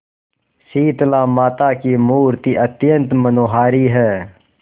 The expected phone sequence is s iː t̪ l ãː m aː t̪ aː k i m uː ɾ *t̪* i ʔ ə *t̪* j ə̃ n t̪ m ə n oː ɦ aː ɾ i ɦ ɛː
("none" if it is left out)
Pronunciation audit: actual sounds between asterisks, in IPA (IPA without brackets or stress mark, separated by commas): t̪, t̪